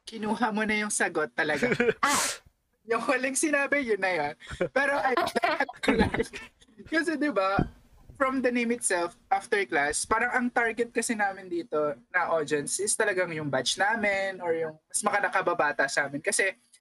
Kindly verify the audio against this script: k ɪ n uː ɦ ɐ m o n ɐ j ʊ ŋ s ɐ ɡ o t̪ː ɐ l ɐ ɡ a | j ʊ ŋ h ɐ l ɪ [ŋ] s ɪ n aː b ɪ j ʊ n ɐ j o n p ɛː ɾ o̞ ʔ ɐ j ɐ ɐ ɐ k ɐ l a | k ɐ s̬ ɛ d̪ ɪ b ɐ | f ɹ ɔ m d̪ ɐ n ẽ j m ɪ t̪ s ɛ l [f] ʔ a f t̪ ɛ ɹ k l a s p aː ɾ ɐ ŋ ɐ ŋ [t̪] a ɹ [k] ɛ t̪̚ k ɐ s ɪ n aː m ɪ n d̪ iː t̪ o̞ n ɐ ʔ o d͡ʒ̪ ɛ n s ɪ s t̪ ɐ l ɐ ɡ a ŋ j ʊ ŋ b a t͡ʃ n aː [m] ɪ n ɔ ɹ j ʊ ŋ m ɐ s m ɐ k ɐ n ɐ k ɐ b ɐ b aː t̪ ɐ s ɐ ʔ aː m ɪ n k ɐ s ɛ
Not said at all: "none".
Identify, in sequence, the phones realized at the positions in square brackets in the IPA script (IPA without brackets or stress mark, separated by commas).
ŋ, f, t̪, ɡ, m